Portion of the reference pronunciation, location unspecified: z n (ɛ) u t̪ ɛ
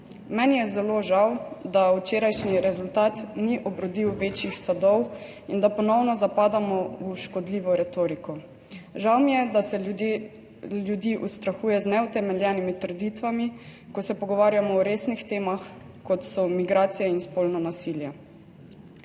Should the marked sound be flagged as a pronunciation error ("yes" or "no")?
no